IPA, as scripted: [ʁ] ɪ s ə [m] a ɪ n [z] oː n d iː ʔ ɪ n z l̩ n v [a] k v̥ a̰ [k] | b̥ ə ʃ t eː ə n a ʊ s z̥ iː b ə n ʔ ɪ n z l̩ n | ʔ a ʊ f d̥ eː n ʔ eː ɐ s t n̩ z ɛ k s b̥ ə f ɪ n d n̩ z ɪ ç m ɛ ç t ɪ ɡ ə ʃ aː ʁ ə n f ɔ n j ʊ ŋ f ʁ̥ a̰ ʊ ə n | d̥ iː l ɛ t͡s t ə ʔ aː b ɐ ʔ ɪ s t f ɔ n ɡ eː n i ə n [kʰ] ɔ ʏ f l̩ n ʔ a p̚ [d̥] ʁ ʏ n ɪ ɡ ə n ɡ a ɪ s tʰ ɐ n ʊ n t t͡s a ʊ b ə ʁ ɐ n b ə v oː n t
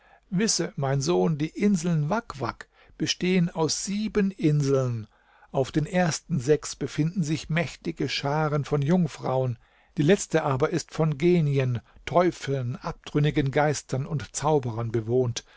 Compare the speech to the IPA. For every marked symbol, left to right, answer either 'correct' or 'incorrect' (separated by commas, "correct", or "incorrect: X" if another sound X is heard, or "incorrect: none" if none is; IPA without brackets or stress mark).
incorrect: v, correct, correct, correct, correct, incorrect: tʰ, correct